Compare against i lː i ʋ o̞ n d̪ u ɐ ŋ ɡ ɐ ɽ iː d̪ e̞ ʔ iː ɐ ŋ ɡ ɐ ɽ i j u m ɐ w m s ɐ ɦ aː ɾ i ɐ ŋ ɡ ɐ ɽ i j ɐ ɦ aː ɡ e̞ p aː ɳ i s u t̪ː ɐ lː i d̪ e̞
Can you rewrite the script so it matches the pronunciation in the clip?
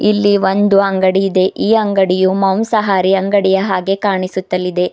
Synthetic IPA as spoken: i lː i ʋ o̞ n d̪ u ɐ ŋ ɡ ɐ ɽ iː d̪ e̞ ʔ iː ɐ ŋ ɡ ɐ ɽ i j u m ɐ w m s ɐ ɦ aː ɾ i ɐ ŋ ɡ ɐ ɽ i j ɐ ɦ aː ɡ e̞ k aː ɳ i s u t̪ː ɐ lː i d̪ e̞

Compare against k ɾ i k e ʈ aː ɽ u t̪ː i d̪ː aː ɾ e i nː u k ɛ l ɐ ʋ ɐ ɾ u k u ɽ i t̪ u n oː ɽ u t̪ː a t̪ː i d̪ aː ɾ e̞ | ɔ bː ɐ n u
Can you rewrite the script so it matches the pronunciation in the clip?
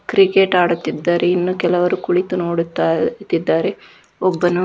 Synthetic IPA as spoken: k ɾ i k e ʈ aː ɽ u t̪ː i d̪ː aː ɾ e i nː u k ɛ l ɐ ʋ ɐ ɾ u k u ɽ i t̪ u n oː ɽ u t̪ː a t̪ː i d̪ː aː ɾ e̞ | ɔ bː ɐ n u

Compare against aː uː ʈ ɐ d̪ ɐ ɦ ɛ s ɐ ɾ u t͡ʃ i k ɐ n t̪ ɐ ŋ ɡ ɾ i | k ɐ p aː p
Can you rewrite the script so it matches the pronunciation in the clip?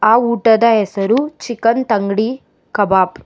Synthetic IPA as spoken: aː uː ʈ ɐ d̪ ɐ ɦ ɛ s ɐ ɾ u t͡ʃ i k ɐ n t̪ ɐ ŋ ɡ ɽ i | k ɐ b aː p

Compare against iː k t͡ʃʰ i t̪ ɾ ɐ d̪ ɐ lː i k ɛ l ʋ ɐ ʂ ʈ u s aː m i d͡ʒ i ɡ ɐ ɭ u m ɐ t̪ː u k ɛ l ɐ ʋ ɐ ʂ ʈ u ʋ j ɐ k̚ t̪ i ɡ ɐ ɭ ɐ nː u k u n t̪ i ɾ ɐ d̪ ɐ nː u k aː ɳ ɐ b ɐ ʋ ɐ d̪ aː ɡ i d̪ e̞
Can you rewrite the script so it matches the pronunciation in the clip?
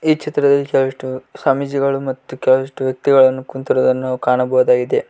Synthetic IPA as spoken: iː k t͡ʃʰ i t̪ ɾ ɐ d̪ ɐ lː i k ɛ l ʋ ɐ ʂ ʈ u s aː m i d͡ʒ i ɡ ɐ ɭ u m ɐ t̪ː u k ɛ l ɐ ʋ ɐ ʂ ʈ u ʋ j ɐ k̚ t̪ i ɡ ɐ ɭ ɐ nː u k u n t̪ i ɾ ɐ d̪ ɐ nː u k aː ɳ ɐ b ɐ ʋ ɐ d̪ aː ɡ i d̪ e̞

